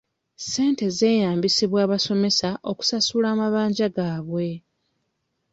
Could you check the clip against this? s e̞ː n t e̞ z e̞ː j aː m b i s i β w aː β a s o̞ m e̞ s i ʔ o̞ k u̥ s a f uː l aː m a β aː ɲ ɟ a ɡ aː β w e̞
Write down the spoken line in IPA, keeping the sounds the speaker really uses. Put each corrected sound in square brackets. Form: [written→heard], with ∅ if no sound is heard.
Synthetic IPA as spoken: s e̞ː n t e̞ z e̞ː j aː m b i s i β w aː β a s o̞ m e̞ s [i→a] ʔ o̞ k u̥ s a [f→s] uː l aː m a β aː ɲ ɟ a ɡ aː β w e̞